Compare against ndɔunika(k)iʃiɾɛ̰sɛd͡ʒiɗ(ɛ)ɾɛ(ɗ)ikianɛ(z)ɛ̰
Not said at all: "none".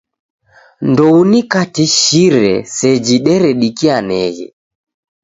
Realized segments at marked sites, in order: t, ɛ, ɗ, ɣ

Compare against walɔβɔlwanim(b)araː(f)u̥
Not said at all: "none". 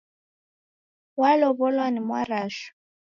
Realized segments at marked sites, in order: w, ʃ

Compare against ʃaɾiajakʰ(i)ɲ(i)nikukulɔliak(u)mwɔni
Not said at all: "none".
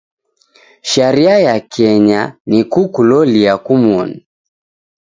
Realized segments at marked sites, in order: ɛ, a, u

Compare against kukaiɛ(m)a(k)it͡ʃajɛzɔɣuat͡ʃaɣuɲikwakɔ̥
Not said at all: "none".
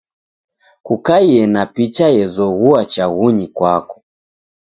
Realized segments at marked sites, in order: n, p

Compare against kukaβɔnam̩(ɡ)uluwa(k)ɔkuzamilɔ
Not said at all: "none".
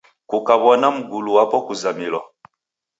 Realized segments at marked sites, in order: ɡ, p

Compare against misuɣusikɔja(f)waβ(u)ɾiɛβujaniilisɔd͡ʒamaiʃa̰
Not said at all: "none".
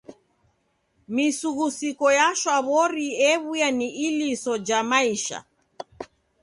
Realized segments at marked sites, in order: ʃ, ɔ

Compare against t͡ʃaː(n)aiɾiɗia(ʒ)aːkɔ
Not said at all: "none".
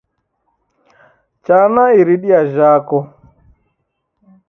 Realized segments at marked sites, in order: n, ʒ

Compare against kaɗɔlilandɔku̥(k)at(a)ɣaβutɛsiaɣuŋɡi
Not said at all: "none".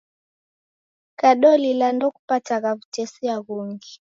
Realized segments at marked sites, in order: p, a

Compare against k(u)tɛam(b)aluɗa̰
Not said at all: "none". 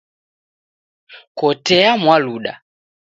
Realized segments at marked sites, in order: ɔ, w

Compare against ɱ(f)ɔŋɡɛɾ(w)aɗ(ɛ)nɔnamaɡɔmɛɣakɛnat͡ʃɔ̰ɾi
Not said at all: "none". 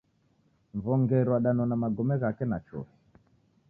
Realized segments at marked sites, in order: v, w, a

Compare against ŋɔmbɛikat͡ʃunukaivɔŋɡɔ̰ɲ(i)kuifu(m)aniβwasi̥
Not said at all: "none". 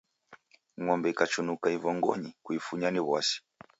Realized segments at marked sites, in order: i, ɲ

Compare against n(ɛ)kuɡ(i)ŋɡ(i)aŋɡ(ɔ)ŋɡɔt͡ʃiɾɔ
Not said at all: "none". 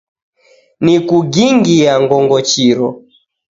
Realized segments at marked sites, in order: i, i, i, ɔ

